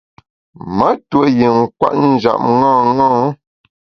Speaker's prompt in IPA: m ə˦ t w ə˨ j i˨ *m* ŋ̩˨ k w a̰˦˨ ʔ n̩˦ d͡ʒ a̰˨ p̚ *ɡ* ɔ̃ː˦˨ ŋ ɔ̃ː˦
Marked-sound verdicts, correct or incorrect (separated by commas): incorrect, incorrect